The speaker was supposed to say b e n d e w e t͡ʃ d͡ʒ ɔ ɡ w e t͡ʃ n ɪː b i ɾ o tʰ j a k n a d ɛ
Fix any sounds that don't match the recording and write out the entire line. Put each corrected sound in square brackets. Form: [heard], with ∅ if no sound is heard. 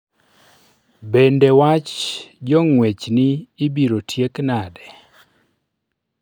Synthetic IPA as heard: b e n d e w [a] t͡ʃ d͡ʒ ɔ [ŋ] w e t͡ʃ n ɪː b i ɾ o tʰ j [e] k n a d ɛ

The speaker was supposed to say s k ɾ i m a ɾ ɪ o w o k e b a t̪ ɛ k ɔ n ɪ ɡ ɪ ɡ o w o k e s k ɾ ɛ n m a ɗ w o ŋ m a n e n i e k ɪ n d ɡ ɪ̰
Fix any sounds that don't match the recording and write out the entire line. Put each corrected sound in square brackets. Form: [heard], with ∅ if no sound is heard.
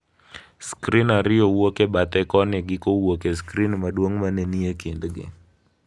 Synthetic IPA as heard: s k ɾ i [n] a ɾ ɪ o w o k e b a t̪ ɛ k ɔ n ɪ ɡ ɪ [k] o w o k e s k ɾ [i] n m a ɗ w o ŋ m a n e n i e k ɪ n d ɡ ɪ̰

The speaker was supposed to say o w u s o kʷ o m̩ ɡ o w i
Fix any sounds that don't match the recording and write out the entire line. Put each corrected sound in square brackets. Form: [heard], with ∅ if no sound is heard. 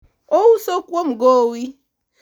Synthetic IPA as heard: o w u s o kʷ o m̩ ɡ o w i

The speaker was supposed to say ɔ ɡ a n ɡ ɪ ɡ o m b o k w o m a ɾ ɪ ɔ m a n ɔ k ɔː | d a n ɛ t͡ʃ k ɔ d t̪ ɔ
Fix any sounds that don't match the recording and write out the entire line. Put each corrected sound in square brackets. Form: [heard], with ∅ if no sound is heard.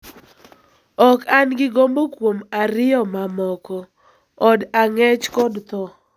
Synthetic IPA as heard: ɔ [k] a n ɡ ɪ ɡ o m b o k w o m a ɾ ɪ ɔ m a [m] ɔ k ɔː | d a [ŋ] ɛ t͡ʃ k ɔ d t̪ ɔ

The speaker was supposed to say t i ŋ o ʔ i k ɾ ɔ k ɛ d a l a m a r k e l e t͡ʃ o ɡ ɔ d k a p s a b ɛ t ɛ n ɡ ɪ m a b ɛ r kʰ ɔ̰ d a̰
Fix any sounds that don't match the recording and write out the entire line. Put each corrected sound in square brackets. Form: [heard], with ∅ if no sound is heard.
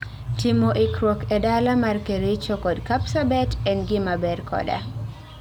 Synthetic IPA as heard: t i [m] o ʔ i k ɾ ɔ k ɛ d a l a m a r k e [ɾ] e t͡ʃ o [k] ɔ d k a p s a b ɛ t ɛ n ɡ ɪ m a b ɛ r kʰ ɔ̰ d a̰

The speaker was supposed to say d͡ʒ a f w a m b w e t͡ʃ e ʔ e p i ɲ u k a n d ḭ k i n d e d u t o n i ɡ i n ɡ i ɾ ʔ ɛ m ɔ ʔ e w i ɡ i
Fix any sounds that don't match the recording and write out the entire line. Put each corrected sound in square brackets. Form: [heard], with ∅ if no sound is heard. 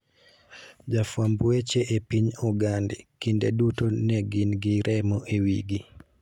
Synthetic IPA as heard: d͡ʒ a f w a m b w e t͡ʃ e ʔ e p i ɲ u [ɡ] a n d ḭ k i n d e d u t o n [ɛ] ɡ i n ɡ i ɾ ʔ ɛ m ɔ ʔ e w i ɡ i

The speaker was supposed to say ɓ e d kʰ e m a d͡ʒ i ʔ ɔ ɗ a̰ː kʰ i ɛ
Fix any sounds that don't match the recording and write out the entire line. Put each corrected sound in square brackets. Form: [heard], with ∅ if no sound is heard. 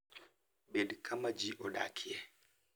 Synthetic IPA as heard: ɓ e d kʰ [a] m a d͡ʒ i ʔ ɔ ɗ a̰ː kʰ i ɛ

